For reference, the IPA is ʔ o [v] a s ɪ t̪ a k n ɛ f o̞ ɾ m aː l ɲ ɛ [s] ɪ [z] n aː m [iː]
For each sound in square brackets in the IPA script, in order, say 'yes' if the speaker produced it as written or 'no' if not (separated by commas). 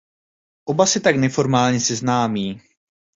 no, yes, yes, yes